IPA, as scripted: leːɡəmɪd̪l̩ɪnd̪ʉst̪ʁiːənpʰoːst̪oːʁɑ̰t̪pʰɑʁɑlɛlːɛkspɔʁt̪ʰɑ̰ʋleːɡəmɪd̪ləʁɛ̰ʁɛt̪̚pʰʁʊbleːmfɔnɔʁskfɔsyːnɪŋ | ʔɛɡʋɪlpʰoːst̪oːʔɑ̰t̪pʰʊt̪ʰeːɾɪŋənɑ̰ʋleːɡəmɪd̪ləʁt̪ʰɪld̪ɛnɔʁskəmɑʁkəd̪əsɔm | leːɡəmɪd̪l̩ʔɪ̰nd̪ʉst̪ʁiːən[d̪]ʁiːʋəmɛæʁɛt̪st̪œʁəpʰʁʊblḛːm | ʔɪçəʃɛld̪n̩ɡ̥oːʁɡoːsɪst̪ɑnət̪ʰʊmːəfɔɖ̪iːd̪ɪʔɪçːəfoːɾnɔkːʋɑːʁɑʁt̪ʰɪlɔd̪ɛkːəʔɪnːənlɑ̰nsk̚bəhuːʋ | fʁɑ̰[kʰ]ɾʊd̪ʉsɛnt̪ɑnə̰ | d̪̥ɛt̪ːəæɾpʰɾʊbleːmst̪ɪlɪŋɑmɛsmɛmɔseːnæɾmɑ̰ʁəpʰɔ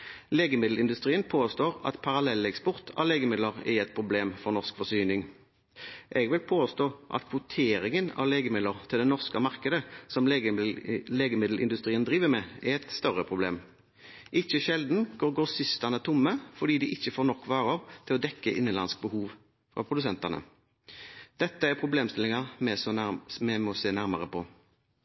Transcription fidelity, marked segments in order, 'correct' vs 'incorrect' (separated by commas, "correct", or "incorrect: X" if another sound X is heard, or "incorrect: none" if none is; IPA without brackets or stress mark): correct, incorrect: pʰ